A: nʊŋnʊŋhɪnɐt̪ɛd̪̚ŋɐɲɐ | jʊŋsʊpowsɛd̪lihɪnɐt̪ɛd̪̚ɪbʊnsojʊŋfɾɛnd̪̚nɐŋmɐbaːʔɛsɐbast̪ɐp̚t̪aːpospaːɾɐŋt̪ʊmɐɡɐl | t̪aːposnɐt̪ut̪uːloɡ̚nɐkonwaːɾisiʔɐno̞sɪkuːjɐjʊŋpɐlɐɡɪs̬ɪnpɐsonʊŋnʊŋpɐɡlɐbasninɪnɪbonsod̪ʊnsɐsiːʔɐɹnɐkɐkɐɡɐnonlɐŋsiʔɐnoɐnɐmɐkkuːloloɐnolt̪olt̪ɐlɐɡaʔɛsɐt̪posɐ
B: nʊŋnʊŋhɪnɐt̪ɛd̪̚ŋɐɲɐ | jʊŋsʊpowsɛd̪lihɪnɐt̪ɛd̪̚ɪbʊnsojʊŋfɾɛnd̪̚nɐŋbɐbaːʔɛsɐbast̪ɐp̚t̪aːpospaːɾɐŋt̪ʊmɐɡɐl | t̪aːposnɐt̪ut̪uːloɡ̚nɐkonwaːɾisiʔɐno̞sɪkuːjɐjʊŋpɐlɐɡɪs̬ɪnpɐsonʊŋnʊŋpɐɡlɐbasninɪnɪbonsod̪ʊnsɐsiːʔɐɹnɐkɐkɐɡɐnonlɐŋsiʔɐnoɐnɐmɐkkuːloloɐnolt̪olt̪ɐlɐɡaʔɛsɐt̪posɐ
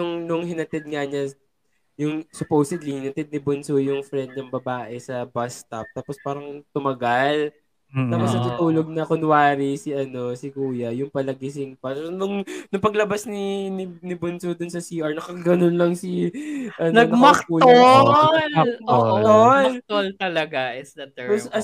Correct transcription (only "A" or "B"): B